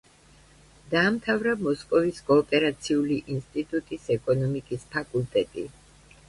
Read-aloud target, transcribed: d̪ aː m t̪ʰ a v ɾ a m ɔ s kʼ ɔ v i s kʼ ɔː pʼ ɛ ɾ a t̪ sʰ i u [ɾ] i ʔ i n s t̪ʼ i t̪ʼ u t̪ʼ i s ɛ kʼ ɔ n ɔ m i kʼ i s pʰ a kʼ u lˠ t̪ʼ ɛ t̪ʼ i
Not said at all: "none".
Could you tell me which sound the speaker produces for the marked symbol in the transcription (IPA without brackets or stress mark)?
l